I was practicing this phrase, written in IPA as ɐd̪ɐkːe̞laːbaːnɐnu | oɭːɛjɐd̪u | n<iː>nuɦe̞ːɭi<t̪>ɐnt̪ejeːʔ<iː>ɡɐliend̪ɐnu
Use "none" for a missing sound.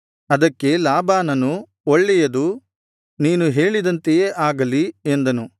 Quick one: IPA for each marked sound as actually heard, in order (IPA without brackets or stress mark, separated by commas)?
iː, d̪, aː